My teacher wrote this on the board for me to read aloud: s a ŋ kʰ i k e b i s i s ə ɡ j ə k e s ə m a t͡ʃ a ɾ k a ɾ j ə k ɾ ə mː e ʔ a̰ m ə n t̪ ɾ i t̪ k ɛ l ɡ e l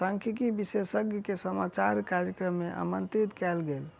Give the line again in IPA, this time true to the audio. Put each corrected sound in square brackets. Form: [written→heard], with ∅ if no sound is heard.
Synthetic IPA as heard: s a ŋ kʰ i k [e→i] b i s [i→e] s ə ɡ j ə k e s ə m a t͡ʃ a ɾ k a ɾ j ə k ɾ ə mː e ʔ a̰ m ə n t̪ ɾ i t̪ k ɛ l ɡ e l